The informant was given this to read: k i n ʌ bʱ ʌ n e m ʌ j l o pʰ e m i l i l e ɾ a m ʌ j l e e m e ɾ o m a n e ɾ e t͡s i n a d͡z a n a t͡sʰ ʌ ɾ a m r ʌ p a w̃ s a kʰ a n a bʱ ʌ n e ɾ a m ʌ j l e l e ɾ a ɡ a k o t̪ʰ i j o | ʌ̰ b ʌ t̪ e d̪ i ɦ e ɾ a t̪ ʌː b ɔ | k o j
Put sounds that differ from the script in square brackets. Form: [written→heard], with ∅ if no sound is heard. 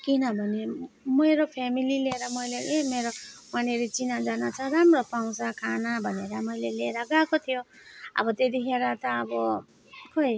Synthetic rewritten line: k i n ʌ bʱ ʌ n e m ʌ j [l→ɾ] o pʰ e m i l i l e ɾ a m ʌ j l e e m e ɾ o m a n e ɾ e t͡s i n a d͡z a n a t͡sʰ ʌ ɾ a m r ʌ p a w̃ s a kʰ a n a bʱ ʌ n e ɾ a m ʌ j l e l e ɾ a ɡ a k o t̪ʰ i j o | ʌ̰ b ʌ t̪ e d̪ i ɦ e ɾ a t̪ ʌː b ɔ | k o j